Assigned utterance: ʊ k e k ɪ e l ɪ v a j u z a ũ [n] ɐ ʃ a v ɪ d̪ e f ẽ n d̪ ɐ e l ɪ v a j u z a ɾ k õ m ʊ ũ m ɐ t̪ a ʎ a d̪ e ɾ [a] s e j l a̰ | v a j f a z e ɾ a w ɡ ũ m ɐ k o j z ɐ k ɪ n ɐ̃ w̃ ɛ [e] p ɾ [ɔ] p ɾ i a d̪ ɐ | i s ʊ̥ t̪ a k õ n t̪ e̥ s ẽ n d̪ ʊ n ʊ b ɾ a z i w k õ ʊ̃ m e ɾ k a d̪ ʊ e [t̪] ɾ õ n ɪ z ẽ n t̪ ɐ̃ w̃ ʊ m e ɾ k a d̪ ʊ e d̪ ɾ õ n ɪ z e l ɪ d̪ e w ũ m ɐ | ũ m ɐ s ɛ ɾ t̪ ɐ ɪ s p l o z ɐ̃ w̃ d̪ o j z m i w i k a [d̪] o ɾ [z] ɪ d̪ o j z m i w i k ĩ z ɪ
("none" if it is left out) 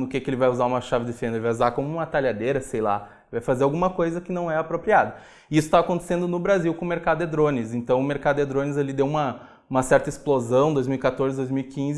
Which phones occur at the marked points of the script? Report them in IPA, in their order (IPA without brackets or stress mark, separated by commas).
m, ɐ, a, o, d̪, t̪, z